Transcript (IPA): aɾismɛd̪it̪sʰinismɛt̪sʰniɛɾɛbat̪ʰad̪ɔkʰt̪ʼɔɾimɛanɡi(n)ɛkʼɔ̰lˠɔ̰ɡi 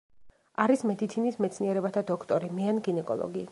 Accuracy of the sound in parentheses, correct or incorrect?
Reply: correct